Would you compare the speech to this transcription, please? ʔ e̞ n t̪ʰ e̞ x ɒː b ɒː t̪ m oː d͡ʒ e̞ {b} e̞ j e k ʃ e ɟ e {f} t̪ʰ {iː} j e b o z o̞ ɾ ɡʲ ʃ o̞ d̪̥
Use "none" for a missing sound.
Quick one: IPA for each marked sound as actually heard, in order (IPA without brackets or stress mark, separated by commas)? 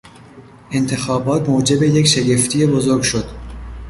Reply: b, f, i